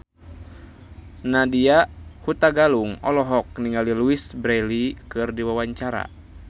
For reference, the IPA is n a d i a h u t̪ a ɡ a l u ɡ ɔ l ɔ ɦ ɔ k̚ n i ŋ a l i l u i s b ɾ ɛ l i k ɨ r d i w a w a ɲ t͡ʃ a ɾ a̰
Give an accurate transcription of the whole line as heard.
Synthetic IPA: n a d i a h u t̪ a ɡ a l u ŋ ɔ l ɔ ɦ ɔ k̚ n i ŋ a l i l u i s b ɾ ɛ l i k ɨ r d i w a w a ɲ t͡ʃ a ɾ a̰